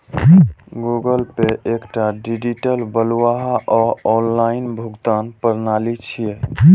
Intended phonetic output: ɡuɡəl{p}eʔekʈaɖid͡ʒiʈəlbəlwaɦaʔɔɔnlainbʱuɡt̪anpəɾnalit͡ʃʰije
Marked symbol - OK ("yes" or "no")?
yes